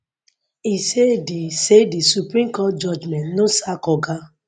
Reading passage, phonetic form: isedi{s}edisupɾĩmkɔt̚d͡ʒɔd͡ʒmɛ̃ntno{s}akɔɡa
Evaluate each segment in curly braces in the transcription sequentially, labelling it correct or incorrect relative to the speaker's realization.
correct, correct

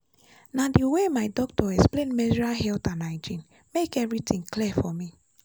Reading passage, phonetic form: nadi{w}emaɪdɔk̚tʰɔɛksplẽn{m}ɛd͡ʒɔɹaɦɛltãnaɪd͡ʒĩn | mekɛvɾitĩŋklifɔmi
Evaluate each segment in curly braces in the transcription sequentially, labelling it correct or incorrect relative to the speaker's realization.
correct, correct

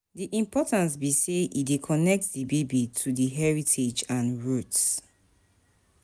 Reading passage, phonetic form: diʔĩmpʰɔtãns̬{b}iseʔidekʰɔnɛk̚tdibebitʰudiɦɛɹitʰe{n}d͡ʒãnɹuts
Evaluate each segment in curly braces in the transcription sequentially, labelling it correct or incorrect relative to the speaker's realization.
correct, incorrect: none

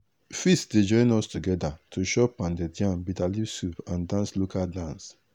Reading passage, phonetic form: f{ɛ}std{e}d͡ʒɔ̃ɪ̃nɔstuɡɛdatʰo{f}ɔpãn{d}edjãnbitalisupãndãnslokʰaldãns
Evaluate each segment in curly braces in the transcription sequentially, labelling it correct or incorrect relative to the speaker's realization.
incorrect: i, correct, incorrect: ʃ, correct

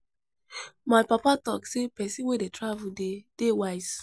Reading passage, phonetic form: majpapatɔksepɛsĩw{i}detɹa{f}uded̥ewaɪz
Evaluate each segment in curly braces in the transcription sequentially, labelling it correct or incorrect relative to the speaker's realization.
incorrect: e, incorrect: v

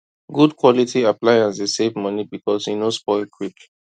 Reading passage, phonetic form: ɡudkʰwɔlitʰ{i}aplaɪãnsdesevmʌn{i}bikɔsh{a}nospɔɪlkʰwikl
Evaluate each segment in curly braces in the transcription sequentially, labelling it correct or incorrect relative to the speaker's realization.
correct, correct, incorrect: i

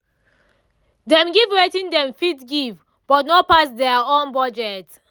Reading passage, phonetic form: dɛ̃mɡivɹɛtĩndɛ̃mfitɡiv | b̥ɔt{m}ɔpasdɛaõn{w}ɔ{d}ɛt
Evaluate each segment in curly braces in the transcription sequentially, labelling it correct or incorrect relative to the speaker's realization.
incorrect: n, incorrect: b, incorrect: d͡ʒ

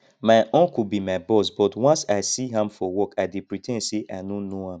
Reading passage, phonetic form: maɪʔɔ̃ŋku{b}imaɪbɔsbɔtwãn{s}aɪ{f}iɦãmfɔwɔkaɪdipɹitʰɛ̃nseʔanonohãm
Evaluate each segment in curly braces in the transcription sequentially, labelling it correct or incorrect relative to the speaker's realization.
correct, correct, incorrect: s

